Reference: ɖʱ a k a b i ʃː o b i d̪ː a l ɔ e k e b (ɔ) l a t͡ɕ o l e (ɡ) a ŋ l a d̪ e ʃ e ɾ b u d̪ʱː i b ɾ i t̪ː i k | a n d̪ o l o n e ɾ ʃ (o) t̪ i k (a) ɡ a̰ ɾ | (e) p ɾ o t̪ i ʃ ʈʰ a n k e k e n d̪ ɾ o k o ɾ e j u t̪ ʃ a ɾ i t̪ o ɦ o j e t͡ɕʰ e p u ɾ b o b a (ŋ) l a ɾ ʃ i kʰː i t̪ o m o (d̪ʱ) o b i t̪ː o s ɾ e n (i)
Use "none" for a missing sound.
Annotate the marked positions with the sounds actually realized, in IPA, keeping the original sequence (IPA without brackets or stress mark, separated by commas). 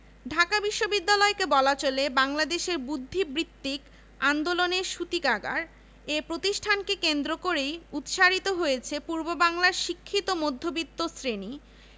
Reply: ɔ, b, u, a, e, ŋ, d̪ʱː, i